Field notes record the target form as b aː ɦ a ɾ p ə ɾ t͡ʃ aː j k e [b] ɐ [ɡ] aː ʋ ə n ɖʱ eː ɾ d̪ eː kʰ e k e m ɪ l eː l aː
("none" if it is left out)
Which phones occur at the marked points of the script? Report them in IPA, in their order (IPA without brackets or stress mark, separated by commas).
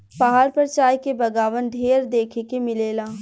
b, ɡ